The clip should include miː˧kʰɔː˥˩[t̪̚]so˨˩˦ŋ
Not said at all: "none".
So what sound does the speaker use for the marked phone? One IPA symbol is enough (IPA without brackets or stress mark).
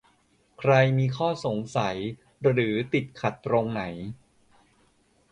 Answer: none